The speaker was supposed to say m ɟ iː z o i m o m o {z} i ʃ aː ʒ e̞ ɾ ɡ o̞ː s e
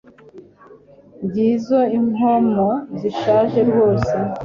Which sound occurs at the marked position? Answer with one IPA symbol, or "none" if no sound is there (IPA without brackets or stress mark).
z